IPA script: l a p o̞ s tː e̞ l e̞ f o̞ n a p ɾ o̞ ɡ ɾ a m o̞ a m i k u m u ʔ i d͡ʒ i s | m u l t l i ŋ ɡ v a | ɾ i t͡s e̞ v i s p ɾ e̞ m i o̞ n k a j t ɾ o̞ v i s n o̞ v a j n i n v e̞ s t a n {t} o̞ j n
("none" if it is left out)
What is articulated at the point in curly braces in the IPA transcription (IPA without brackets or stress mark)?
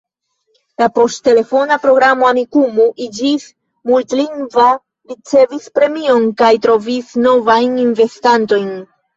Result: t